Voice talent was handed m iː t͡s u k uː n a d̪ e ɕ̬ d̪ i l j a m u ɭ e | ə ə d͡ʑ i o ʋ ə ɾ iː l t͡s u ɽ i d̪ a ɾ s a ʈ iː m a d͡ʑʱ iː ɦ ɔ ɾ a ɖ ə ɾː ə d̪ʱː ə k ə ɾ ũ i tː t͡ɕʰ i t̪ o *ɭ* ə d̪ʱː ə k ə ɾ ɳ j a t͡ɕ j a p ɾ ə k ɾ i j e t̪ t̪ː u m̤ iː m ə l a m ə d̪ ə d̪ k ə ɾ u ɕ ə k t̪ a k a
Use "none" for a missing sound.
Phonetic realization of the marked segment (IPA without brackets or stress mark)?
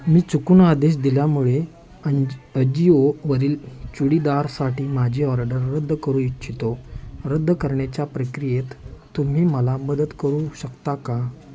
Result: ɾ